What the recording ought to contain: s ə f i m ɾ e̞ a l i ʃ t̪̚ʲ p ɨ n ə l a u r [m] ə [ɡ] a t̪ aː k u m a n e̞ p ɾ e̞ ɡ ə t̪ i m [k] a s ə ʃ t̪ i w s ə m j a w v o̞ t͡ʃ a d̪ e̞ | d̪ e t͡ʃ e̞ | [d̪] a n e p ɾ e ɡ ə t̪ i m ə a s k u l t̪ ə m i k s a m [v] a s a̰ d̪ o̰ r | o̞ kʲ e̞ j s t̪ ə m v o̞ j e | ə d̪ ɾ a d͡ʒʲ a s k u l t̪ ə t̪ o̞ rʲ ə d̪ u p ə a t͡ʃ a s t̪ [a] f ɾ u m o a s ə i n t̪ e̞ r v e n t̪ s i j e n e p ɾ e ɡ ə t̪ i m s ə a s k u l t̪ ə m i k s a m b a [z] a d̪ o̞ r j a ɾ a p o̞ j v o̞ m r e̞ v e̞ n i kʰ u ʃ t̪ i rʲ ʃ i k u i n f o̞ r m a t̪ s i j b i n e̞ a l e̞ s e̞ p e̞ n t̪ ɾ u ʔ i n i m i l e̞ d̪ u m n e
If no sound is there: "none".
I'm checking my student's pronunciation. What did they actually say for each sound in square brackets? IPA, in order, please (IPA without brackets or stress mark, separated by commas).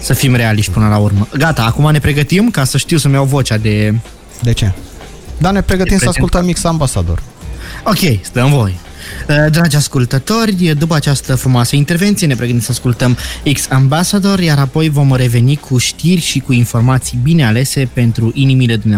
m, ɡ, k, d̪, b, ə, s